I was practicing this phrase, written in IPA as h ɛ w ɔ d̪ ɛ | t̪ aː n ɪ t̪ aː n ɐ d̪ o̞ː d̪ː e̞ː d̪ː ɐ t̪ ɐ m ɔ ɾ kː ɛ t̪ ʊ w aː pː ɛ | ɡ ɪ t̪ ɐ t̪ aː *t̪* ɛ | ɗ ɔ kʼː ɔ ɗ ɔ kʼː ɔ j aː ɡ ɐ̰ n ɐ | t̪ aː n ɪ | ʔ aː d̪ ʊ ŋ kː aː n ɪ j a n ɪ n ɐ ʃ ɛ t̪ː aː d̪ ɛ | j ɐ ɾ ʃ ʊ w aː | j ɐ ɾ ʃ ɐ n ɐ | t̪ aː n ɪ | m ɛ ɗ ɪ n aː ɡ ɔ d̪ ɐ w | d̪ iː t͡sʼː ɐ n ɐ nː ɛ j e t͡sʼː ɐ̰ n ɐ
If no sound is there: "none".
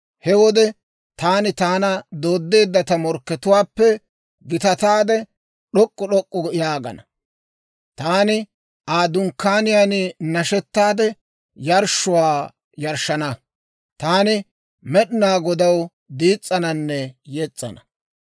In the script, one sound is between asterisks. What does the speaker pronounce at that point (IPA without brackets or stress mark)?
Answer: d̪